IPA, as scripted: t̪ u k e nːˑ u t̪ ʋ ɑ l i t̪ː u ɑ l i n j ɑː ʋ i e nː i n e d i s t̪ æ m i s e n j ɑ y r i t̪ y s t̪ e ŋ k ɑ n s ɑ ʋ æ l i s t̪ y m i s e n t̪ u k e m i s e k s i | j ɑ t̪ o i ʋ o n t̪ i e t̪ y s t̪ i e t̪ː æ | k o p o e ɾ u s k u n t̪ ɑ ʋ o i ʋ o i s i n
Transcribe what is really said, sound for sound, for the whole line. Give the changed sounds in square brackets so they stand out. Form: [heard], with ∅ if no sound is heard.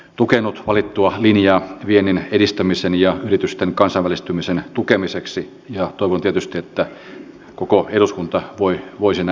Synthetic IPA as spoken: t̪ u k e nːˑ u t̪ ʋ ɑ l i t̪ː u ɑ l i n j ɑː ʋ i e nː i n e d i s t̪ æ m i s e n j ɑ y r i t̪ y s t̪ e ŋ k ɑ n s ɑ ʋ æ l i s t̪ y m i s e n t̪ u k e m i s e k s i | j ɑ t̪ o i ʋ o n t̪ i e t̪ y s t̪ i e t̪ː æ | k o [k] o e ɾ u s k u n t̪ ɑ ʋ o i ʋ o i s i n